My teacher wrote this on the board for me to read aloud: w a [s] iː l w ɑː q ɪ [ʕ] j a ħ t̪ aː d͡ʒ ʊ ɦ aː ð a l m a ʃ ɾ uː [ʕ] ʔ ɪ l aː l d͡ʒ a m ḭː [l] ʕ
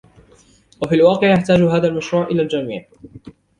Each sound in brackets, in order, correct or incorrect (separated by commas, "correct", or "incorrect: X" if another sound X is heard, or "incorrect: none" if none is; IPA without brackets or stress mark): incorrect: f, correct, correct, incorrect: none